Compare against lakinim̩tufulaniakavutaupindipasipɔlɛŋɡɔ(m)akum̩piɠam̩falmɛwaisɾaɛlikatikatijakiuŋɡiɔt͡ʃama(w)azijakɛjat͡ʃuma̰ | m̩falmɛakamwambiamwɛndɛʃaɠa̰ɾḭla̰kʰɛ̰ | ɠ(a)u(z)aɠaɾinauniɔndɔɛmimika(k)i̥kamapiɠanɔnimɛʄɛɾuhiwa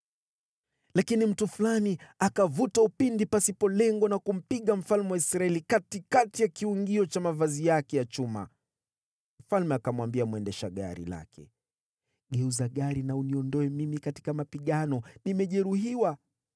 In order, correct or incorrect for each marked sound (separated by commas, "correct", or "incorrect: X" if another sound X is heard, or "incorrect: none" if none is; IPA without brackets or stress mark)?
incorrect: n, incorrect: v, incorrect: ɛ, correct, incorrect: t